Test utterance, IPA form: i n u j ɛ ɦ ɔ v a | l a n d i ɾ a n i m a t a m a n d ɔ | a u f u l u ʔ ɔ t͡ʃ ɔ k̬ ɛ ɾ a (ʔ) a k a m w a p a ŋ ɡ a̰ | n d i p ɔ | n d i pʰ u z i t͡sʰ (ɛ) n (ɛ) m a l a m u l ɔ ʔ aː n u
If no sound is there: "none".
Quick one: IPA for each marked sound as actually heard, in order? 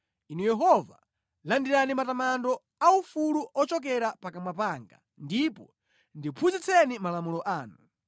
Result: p, ɛ, i

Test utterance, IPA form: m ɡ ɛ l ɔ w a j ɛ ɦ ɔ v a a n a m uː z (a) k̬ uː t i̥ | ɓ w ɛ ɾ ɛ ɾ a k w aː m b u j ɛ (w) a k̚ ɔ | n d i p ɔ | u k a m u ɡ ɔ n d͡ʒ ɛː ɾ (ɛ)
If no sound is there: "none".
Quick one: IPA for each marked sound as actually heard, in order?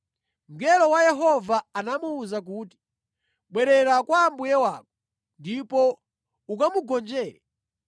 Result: a, w, ɛ

